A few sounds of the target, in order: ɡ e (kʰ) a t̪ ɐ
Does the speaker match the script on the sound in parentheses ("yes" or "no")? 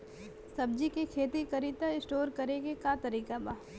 no